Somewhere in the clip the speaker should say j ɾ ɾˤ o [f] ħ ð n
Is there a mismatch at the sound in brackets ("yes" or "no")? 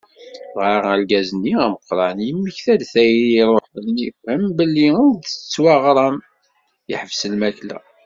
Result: yes